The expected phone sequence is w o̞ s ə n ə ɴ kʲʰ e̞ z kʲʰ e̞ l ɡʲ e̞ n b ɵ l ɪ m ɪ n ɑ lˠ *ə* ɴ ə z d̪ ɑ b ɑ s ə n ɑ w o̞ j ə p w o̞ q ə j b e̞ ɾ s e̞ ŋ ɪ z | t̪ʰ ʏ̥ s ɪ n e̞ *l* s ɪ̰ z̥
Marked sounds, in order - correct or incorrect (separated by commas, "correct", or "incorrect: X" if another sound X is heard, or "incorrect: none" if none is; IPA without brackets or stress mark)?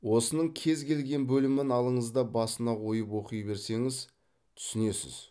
correct, incorrect: none